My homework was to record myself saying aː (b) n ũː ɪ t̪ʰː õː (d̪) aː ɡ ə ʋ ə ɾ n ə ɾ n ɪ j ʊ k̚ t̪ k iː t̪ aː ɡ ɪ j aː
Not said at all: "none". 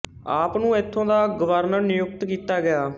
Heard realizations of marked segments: p, d̪

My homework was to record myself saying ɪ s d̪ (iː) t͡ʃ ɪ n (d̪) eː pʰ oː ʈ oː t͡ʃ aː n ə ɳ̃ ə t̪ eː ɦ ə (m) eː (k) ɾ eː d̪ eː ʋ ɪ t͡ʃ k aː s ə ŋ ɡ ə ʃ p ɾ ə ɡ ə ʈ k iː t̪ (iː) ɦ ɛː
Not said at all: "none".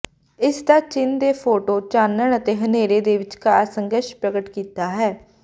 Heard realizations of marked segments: aː, d̪, n, none, aː

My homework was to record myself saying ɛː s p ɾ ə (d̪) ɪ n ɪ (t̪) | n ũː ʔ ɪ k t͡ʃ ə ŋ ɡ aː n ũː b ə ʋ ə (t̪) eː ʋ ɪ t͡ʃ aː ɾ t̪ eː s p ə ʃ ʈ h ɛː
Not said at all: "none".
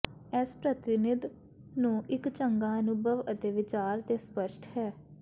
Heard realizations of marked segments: t̪, d̪, t̪

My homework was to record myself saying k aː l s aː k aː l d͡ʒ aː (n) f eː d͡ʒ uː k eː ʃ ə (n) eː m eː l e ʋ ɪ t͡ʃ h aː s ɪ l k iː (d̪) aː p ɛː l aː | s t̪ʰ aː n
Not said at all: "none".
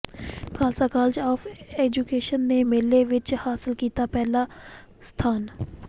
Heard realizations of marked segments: none, nː, t̪

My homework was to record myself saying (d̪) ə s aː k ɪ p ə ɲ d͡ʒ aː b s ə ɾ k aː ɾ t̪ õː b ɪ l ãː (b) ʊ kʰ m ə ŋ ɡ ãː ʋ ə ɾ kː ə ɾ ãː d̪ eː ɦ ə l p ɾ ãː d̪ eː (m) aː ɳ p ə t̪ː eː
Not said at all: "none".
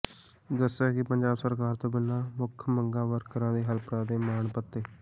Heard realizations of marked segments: d̪, m, m

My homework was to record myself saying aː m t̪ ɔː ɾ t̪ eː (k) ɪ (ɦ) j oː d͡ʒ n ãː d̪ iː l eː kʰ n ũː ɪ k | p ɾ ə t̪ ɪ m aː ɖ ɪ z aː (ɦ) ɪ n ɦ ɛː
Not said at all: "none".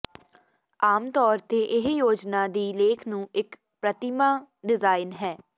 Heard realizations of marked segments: ʔ, ɦ, none

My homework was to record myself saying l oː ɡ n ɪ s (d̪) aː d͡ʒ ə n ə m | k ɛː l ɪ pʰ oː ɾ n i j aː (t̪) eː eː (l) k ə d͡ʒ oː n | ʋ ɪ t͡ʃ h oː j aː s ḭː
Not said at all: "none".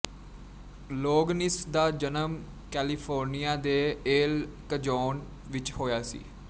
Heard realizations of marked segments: d̪, d̪, l

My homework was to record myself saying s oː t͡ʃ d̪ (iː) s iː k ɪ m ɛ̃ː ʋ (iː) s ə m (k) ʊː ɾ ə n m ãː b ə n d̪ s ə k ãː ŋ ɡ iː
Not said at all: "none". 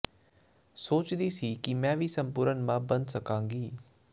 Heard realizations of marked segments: iː, iː, p

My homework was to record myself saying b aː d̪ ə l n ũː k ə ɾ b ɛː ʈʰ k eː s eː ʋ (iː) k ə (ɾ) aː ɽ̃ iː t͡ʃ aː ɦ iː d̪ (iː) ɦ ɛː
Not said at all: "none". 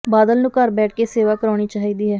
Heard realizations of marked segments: aː, ɾ, iː

